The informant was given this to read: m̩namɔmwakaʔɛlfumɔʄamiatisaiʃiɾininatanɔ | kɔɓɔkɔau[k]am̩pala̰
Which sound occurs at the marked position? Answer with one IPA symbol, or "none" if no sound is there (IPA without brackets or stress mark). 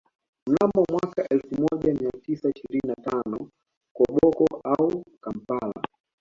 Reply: k